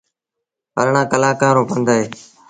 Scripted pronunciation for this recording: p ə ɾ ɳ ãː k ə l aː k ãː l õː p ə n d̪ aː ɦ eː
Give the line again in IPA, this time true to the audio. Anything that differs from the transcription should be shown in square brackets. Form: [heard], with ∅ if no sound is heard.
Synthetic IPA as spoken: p ə ɾ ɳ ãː k ə l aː k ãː [ɾ] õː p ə n d̪ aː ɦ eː